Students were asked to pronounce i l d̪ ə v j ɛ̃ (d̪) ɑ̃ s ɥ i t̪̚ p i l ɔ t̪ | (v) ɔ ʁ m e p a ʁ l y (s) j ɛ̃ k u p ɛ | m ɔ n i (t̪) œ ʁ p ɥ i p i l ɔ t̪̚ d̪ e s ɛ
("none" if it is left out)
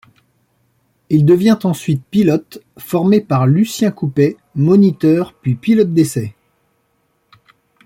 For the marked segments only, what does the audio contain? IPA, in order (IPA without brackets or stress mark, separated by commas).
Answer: t̪, f, s, t̪